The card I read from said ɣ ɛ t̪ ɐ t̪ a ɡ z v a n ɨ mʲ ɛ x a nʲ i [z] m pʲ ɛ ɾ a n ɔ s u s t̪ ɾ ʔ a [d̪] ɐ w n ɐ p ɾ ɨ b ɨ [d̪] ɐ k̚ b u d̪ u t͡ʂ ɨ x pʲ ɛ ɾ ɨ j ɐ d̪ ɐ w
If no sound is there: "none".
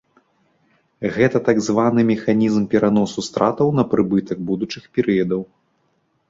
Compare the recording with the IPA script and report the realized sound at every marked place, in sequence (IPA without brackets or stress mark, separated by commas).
z, t̪, t̪